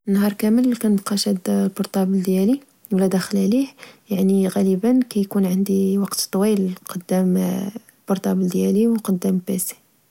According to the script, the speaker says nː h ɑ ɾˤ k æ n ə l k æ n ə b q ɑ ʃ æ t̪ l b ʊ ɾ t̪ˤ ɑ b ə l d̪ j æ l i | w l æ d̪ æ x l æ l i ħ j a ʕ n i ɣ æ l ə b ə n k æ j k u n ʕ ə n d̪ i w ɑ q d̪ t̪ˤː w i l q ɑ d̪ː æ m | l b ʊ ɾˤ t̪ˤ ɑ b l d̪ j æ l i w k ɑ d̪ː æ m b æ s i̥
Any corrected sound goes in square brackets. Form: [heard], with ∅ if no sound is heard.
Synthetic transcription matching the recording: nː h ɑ ɾˤ k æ [m] ə l k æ n ə b q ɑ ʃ æ [d̪] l b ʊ ɾ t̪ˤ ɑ b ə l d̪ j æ l i | w l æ d̪ æ x l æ l i ħ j a ʕ n i ɣ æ l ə b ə n k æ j k u n ʕ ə n d̪ i w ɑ q [t̪] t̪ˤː w i l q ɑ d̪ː æ m | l b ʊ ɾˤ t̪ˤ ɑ b l d̪ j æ l i w [q] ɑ d̪ː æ m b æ s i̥